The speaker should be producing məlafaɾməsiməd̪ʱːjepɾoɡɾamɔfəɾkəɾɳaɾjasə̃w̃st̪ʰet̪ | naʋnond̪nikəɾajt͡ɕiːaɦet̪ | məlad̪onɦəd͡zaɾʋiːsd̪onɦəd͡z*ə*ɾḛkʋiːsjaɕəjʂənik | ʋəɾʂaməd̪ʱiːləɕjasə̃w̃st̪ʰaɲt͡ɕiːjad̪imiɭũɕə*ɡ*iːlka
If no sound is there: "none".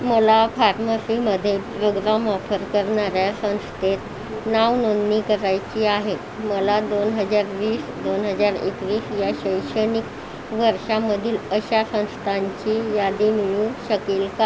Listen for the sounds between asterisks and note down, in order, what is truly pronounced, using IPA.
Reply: a, k

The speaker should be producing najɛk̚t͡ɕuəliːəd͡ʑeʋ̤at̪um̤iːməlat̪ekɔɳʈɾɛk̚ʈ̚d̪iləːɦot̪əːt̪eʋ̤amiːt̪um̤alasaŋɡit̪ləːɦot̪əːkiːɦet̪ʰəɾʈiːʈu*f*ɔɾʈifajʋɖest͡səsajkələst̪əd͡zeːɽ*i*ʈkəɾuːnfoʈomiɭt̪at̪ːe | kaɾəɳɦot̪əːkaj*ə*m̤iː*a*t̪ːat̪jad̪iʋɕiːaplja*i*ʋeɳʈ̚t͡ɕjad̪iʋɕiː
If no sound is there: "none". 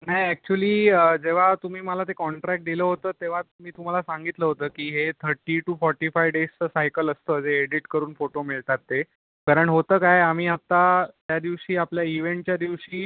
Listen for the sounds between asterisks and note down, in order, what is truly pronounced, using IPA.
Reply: f, i, a, a, i

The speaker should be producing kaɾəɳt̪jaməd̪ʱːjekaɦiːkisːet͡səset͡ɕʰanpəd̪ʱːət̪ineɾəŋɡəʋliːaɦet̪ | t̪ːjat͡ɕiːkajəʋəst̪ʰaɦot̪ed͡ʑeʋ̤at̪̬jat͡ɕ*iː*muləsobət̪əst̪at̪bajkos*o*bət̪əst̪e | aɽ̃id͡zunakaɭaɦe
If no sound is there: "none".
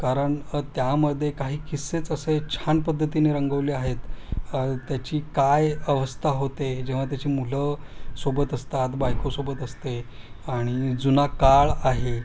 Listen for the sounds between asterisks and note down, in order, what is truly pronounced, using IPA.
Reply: iː, o

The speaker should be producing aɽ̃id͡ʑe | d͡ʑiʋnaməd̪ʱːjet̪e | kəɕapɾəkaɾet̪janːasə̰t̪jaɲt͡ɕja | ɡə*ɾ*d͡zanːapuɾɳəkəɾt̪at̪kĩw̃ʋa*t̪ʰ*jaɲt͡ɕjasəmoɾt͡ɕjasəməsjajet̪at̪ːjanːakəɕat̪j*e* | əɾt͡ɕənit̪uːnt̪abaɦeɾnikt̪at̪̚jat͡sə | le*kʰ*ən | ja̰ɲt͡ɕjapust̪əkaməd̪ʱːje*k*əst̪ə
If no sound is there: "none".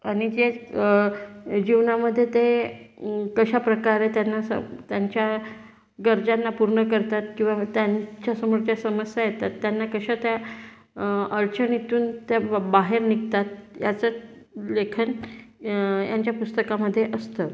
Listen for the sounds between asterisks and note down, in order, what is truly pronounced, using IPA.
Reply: ɾ, t̪, a, kʰ, ʔ

